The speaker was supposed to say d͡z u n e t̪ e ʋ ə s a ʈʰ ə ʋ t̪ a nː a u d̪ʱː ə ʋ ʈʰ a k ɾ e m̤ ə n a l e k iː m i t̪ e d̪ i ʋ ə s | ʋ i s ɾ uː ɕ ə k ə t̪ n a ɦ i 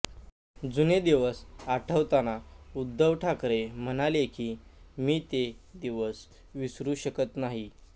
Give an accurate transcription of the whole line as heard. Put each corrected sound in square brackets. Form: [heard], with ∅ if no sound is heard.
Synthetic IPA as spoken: d͡z u n e [d̪] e ʋ ə s a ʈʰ ə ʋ t̪ a [n] a u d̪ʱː ə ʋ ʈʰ a k ɾ e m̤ ə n a l e k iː m [iː] t̪ e d̪ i ʋ ə s | ʋ i s ɾ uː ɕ ə k ə t̪ n a ɦ i